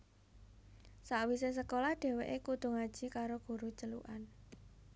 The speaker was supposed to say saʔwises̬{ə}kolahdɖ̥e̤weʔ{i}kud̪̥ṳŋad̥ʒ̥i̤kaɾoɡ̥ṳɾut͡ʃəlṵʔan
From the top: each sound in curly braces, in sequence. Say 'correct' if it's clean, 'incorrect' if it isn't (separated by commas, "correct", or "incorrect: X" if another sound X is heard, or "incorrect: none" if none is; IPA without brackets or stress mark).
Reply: correct, incorrect: e